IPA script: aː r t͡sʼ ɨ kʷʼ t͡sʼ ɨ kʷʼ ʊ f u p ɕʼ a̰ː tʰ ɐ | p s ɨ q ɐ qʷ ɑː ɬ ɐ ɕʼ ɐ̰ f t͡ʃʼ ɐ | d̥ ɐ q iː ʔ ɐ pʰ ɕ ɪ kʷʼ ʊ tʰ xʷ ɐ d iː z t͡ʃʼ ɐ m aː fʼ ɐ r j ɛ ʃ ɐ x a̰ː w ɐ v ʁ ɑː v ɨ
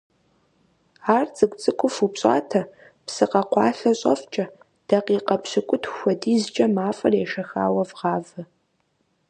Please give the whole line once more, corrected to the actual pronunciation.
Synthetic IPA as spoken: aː r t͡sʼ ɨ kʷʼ t͡sʼ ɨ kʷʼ ʊ f u p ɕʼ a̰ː tʰ ɐ | p s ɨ q ɐ qʷ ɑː ɬ ɐ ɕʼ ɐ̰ f t͡ʃʼ ɐ | d̥ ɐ q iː q ɐ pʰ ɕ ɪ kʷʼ ʊ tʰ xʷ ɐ d iː z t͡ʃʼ ɐ m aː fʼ ɐ r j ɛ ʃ ɐ x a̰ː w ɐ v ʁ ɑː v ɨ